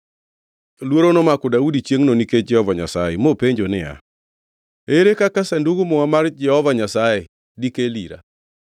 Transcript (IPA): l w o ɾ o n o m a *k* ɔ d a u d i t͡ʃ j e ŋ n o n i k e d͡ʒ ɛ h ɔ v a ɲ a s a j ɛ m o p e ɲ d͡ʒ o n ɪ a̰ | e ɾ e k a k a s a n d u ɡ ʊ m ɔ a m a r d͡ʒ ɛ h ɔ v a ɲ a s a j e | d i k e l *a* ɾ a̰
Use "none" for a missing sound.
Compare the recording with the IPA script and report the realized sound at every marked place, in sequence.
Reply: k, i

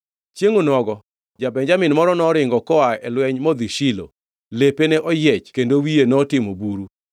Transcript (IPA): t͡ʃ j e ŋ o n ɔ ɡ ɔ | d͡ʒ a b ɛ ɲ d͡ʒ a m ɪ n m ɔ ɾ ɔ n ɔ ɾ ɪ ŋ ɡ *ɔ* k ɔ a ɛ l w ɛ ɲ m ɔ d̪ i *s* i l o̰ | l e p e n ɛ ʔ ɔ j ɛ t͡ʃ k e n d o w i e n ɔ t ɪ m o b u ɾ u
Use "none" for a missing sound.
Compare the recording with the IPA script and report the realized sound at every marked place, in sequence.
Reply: ɔ, ʃ

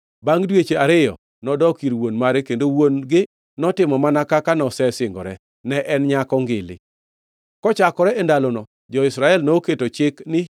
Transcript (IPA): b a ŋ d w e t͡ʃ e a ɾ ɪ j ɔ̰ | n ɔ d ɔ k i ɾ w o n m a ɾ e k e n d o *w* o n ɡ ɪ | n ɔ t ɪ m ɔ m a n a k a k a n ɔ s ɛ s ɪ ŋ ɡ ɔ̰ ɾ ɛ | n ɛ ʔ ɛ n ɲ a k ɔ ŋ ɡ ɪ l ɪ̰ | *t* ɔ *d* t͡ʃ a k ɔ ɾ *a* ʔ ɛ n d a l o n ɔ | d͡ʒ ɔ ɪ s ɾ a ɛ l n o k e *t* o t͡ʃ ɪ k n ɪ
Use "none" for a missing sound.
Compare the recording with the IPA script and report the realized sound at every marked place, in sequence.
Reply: w, k, none, ɛ, t

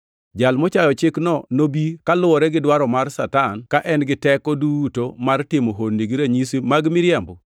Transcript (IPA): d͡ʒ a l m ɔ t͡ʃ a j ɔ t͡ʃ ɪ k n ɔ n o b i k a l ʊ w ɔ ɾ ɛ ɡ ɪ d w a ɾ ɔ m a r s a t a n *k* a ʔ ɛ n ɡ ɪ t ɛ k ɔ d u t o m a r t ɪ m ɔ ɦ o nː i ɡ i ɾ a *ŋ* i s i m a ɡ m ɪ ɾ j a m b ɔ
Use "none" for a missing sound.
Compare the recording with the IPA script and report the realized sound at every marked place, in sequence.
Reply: k, ɲ

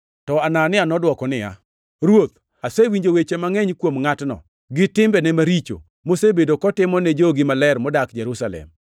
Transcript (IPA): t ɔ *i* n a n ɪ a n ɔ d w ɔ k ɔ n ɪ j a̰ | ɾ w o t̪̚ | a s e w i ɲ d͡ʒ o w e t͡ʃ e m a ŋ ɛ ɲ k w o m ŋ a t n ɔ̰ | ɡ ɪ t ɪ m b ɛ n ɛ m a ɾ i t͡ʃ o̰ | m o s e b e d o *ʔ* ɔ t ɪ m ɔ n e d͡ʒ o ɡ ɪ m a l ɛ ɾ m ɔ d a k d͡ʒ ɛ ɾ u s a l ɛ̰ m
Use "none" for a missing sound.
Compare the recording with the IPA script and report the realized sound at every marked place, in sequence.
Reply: a, k

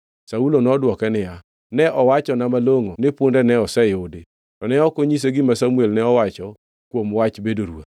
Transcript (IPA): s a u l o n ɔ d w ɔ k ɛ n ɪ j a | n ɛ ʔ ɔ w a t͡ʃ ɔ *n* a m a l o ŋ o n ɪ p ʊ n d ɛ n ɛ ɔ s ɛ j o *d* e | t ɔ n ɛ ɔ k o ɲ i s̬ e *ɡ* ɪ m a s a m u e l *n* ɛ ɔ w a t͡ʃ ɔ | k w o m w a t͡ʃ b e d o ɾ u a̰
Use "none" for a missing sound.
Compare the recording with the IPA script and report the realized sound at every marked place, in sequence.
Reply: n, d, ɡ, n

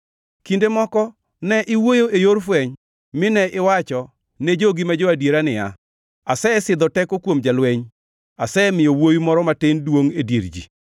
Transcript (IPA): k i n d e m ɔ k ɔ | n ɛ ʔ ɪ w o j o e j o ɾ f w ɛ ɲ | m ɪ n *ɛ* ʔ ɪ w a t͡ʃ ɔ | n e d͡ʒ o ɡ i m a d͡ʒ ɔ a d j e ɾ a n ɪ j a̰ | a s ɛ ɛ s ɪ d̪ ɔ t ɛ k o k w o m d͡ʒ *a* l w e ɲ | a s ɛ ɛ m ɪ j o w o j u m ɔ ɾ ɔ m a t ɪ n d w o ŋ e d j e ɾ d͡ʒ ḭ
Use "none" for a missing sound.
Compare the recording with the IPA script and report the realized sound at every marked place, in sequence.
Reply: ɛ, a

